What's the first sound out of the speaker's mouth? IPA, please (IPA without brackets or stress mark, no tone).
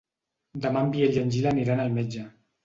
d̪